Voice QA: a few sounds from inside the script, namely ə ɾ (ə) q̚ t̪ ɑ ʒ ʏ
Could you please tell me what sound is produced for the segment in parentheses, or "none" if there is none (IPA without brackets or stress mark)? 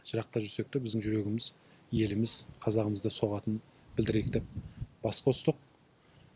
ɑ